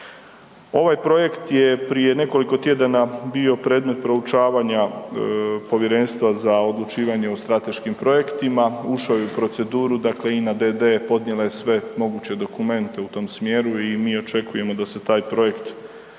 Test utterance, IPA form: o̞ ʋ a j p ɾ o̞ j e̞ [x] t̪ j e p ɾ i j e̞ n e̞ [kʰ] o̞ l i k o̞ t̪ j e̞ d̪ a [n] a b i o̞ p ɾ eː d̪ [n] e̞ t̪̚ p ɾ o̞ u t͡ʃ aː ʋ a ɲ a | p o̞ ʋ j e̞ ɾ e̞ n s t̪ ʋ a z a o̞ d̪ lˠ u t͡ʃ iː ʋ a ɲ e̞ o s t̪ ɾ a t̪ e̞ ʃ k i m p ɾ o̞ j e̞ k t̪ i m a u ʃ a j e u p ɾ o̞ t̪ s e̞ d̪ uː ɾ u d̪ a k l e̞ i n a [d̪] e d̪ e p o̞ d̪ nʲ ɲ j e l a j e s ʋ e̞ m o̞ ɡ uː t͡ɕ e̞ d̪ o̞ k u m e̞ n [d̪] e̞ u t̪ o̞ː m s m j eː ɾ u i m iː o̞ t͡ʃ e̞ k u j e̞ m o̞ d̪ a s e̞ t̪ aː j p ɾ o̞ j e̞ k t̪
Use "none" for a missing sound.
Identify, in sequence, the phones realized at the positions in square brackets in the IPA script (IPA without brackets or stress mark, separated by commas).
k, k, n, m, d̪, t̪